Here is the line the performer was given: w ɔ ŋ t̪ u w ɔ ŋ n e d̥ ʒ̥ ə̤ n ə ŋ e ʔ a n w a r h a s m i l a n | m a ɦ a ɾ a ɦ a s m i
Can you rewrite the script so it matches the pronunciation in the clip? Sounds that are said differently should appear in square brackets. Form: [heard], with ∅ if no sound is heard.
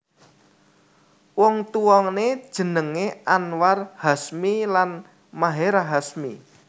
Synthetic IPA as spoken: w ɔ ŋ t̪ u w ɔ ŋ n e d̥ ʒ̥ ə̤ n ə ŋ e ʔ a n w a r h a s m i l a n | m a ɦ [e] ɾ a ɦ a s m i